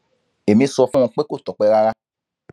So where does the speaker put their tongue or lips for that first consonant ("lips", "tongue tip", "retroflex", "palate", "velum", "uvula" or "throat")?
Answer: lips